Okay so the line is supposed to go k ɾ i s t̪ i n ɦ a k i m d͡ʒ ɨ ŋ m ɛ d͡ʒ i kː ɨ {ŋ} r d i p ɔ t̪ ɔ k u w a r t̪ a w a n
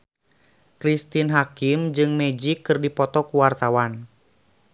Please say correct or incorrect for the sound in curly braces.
incorrect